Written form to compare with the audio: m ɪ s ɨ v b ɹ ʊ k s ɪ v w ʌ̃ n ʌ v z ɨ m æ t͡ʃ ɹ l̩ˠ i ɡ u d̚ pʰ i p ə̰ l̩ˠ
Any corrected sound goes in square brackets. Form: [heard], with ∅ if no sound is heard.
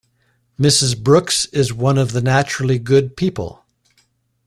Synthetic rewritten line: m ɪ s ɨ [z] b ɹ ʊ k s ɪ [z] w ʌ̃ n ʌ v [ð] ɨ [n] æ t͡ʃ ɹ l̩ˠ i ɡ [ʊ] d̚ pʰ i p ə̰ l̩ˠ